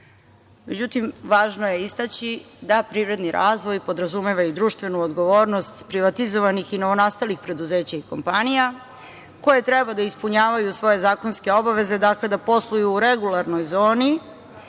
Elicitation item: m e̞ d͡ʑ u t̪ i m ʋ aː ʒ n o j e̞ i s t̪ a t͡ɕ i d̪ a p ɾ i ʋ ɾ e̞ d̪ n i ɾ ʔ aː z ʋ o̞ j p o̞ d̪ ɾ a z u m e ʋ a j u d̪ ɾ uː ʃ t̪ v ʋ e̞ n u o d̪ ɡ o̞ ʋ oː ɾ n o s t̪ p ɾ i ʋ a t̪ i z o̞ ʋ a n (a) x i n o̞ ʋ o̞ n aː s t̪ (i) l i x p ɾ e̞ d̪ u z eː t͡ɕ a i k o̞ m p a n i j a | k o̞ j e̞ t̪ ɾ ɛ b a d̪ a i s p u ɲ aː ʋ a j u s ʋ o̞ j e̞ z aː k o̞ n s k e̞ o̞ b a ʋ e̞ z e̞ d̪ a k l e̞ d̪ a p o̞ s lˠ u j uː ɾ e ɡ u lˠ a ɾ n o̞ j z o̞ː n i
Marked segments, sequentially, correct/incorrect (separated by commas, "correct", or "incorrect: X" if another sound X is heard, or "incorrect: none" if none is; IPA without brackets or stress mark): incorrect: i, incorrect: a